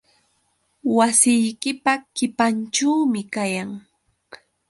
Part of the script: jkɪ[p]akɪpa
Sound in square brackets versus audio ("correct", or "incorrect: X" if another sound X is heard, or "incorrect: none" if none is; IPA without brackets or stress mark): correct